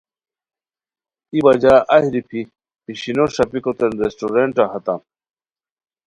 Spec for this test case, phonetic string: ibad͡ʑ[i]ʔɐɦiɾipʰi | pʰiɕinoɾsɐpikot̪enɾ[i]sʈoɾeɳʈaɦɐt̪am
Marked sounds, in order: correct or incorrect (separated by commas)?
incorrect, incorrect